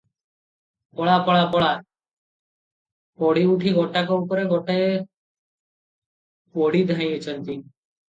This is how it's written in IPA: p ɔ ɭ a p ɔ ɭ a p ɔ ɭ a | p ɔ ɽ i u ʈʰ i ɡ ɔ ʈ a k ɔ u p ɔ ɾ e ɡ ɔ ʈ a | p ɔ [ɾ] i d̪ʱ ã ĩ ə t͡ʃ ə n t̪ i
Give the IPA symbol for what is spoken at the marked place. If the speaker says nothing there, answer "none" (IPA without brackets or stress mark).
ɽ